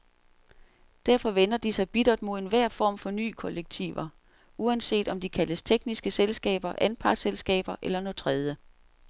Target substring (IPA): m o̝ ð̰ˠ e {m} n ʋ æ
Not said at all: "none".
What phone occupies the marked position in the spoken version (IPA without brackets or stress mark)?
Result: none